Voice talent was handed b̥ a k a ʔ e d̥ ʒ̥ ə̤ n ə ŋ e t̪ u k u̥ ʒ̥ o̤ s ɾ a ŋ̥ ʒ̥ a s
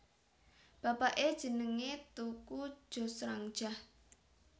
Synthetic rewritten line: b̥ a p a ʔ e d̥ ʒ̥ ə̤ n ə ŋ e t̪ u k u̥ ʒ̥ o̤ s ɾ a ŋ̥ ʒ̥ a h